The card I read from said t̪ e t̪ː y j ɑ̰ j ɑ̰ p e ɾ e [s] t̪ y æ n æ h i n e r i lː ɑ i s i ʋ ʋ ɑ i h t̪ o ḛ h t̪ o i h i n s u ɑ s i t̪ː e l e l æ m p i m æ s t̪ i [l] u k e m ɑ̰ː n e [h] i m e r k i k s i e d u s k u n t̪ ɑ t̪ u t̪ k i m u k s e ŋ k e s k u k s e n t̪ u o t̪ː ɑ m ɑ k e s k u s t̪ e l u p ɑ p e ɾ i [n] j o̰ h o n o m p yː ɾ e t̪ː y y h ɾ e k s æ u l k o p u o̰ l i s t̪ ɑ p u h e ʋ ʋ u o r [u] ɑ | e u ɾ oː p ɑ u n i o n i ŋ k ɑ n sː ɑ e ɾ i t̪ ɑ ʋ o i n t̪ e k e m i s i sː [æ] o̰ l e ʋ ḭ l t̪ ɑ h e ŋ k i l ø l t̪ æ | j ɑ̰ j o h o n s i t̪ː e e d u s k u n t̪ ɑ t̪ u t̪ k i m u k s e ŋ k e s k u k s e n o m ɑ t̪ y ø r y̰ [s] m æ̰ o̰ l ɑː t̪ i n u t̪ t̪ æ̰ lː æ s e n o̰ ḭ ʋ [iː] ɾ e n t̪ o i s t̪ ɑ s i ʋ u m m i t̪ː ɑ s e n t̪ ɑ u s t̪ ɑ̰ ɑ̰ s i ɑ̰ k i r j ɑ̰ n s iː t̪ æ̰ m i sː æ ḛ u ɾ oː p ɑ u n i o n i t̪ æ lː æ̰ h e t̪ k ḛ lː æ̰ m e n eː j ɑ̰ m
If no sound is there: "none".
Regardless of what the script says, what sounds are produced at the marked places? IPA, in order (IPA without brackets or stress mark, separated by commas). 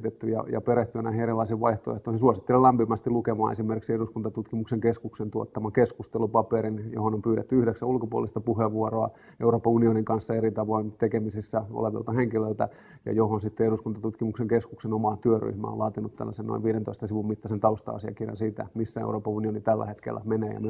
h, l, s, n, o, æ, h, iː